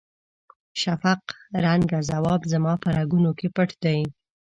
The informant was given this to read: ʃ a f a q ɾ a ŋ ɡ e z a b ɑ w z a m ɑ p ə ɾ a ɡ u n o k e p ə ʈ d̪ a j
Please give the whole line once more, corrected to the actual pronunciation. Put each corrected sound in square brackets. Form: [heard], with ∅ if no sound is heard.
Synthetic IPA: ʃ a f a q ɾ a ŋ ɡ [a] z a [w] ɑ [b] z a m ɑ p ə ɾ a ɡ u n o k e p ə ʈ d̪ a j